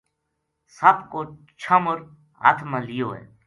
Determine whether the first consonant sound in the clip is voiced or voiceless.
voiceless